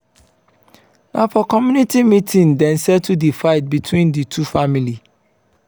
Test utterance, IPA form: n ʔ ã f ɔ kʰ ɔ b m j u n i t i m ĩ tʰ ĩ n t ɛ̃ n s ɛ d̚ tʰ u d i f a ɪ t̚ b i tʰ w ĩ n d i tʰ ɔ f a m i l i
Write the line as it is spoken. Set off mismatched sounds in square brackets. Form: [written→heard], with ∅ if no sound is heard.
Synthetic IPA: n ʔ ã f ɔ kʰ ɔ [b→∅] m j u n i t i m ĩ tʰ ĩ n [t→d] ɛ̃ n s ɛ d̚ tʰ u d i f a ɪ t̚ b i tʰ w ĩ n d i tʰ [ɔ→u] f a m i l i